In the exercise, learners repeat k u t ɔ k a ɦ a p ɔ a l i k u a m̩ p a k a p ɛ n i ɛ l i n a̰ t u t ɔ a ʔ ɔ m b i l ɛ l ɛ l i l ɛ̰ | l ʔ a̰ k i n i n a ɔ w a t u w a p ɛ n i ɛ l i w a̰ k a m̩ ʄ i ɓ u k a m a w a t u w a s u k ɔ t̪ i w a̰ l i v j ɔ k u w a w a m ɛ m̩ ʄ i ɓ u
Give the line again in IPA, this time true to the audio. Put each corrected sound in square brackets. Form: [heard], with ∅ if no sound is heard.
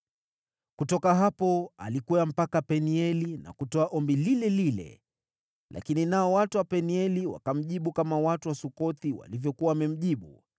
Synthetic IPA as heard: k u t ɔ k a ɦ a p ɔ a l i k u a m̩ p a k a p ɛ n i ɛ l i n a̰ [k] u t ɔ a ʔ ɔ m b i l [i] l ɛ l i l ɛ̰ | l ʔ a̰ k i n i n a ɔ w a t u w a p ɛ n i ɛ l i w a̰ k a m̩ ʄ i ɓ u k a m a w a t u w a s u k ɔ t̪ i w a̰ l i v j ɔ k u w a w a m ɛ m̩ ʄ i ɓ u